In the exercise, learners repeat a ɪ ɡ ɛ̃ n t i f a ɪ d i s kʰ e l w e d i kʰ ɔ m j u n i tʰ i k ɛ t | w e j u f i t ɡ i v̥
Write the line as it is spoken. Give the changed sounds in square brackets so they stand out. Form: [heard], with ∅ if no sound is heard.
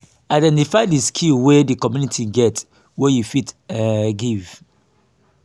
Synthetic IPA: a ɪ [d] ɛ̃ n t i f a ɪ d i s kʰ [i] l w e d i [k] ɔ m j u n i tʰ i [ɡ] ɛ t | w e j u f i t ɡ i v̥

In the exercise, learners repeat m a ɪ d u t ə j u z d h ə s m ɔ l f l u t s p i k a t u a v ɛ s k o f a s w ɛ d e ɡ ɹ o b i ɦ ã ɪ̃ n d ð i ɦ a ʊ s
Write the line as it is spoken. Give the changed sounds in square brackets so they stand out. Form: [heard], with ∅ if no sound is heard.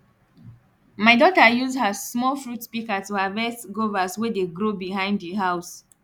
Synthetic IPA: m a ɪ d [ɔ] t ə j u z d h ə s m ɔ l f [ɹ] u t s p i k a t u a v ɛ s [ɡ] o [v] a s w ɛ d e ɡ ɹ o b i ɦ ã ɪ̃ n d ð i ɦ a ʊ s

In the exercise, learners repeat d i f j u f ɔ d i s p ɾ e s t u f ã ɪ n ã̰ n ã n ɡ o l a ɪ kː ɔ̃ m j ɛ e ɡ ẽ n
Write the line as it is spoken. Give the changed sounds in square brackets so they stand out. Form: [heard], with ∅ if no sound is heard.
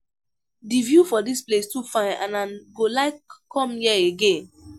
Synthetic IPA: d i [v] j u f ɔ d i s p [l] e s t u f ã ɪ n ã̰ n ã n ɡ o l a ɪ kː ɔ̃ m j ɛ e ɡ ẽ n

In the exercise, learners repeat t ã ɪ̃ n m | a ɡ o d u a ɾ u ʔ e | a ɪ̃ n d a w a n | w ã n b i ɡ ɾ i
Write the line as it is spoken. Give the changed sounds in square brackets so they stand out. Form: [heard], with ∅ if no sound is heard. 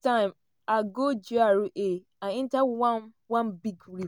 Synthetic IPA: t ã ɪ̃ [∅] m | a ɡ o [d͡ʒ] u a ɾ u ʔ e | a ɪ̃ n [t] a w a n | w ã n b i ɡ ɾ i

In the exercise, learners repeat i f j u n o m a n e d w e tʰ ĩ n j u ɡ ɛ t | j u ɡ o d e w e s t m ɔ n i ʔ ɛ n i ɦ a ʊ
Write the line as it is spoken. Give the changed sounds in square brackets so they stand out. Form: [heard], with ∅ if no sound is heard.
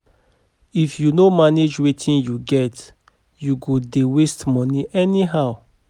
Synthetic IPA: i f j u n o m a n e [d͡ʒ] w e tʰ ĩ n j u ɡ ɛ t | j u ɡ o d e w e s t m ɔ n i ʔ ɛ n i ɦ a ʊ

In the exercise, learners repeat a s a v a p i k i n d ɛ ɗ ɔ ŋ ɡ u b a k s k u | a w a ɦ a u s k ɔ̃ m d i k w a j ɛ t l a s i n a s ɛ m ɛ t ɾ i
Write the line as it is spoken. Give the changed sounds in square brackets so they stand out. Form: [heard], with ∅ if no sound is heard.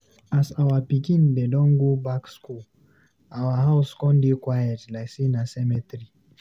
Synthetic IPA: a s a [w] a p i k i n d ɛ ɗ ɔ ŋ ɡ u b a k s k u | a w a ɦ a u s k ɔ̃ [n] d i k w a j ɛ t l a s i n a s ɛ m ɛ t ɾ i

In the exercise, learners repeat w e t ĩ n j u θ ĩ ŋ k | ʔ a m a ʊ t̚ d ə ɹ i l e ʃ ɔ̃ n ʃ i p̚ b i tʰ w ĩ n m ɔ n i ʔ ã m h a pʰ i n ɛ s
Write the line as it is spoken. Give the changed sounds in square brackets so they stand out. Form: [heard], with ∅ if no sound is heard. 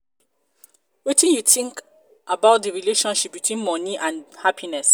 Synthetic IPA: w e t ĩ n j u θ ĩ ŋ k | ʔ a [b] a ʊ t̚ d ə ɹ i l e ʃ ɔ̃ n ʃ i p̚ b i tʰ w ĩ n m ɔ n i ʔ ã [n] h a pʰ i n ɛ s

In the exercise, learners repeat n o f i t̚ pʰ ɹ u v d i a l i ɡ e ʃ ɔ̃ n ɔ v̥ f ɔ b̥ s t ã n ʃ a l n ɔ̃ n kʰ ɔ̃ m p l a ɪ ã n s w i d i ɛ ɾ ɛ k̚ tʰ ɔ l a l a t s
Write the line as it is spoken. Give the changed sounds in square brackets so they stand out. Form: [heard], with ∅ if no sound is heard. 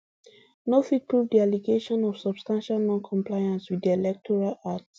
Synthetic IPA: n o f i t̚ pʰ ɹ u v d i a l i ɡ e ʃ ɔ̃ n ɔ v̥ [s] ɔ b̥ s t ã n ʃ a l n ɔ̃ n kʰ ɔ̃ m p l a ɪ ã n s w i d i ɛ [l] ɛ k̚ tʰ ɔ [ɹ] a l a t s

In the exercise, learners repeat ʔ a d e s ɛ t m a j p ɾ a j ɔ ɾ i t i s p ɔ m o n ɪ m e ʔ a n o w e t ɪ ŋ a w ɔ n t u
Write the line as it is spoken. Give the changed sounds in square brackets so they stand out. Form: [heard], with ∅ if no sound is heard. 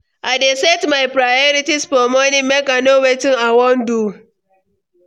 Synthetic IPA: ʔ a d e s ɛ t m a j p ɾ a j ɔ ɾ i t i s p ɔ m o n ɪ m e [k] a n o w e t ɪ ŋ a w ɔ n [d] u

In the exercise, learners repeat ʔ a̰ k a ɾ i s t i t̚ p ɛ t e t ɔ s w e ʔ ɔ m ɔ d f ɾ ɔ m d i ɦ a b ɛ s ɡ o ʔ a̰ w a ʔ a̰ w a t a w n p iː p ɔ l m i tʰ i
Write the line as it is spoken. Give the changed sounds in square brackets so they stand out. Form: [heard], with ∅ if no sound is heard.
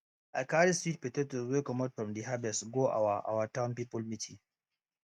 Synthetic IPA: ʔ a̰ k a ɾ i s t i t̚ p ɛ t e t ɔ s w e [k] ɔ m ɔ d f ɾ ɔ m d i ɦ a b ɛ s ɡ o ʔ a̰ w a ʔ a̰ w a t a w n p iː p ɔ l m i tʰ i

